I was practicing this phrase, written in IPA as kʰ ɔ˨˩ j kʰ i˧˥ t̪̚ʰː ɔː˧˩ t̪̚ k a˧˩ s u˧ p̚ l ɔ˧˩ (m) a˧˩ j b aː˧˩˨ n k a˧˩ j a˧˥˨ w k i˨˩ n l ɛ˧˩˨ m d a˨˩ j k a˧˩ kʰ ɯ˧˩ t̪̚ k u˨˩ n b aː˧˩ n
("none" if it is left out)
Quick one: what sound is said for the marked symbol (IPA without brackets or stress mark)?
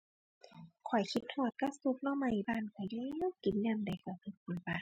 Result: m